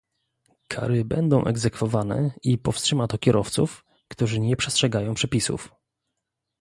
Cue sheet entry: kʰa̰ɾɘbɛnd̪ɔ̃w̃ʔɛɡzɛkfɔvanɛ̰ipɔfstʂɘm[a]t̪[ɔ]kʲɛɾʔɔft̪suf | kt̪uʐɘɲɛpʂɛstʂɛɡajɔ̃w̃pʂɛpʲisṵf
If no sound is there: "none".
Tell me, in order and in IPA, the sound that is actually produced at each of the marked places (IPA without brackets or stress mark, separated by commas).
a, ɔ